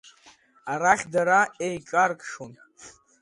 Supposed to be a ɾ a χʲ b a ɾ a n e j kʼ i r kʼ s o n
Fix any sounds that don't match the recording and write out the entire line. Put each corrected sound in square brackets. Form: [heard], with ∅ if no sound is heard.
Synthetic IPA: a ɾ a χʲ [d] a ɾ a [∅] e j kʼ [a] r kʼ [ʂ] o n